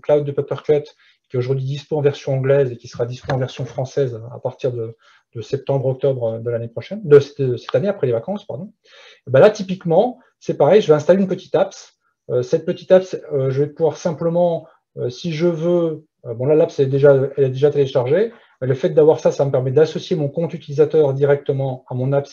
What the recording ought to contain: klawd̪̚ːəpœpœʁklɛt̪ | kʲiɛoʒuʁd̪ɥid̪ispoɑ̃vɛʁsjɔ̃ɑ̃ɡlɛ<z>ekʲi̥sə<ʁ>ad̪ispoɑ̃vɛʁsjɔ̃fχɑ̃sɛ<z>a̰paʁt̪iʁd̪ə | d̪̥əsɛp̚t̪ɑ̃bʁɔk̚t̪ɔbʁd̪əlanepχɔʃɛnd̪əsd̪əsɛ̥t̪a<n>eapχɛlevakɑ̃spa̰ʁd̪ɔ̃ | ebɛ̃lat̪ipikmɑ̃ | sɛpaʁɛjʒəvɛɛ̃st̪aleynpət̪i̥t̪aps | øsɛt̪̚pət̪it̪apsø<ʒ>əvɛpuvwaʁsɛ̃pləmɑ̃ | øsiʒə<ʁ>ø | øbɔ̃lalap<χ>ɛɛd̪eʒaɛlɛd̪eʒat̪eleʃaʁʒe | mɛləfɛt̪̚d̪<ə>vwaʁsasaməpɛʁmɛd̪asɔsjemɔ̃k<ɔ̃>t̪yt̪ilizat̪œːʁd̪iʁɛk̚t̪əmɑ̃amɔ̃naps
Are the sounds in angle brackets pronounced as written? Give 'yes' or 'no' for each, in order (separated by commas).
yes, yes, yes, yes, yes, no, no, no, yes